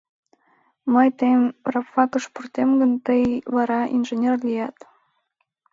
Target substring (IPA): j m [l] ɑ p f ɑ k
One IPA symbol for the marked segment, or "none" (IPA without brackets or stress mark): r